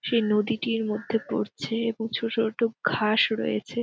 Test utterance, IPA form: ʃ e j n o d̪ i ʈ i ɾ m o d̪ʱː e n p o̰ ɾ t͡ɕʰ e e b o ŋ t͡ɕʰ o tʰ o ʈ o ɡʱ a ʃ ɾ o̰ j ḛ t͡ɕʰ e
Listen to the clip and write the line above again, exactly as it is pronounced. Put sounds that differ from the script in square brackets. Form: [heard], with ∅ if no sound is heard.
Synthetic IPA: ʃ e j n o d̪ i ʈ i ɾ m o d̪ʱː e [∅] p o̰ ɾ t͡ɕʰ e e b o ŋ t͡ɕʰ o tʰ o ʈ o ɡʱ a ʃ ɾ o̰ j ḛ t͡ɕʰ e

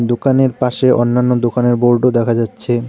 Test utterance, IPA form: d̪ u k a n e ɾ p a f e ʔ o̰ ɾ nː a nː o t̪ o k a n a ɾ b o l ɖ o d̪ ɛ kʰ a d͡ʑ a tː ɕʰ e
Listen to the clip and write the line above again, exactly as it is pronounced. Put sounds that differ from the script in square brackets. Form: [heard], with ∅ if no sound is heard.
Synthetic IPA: d̪ [o] k a n e ɾ p a [ʃ] e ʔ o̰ [∅] nː a nː o [d̪] o k a n [e] ɾ b o [ɾ] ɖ o d̪ ɛ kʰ a d͡ʑ a tː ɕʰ e

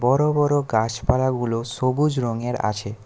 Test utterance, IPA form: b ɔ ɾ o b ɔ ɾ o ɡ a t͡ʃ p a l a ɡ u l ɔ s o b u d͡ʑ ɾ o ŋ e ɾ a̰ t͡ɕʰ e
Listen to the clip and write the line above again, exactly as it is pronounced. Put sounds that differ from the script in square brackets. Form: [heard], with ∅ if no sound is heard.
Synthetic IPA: b ɔ ɾ o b ɔ ɾ o ɡ a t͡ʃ p a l a ɡ u l [o] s o b u d͡ʑ ɾ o ŋ e ɾ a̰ t͡ɕʰ e

